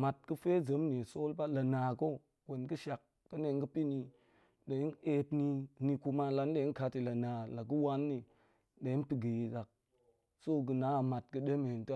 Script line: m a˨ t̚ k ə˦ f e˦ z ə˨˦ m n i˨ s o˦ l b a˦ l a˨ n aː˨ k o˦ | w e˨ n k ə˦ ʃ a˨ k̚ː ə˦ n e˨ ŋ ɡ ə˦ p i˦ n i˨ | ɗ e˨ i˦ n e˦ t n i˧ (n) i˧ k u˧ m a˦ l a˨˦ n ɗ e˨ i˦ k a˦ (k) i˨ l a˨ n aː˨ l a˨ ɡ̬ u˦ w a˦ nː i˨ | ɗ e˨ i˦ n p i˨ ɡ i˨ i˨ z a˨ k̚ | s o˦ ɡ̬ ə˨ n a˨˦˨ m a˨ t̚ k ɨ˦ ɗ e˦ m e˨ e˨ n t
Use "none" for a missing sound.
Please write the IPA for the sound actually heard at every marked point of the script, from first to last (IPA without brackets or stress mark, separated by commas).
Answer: n, t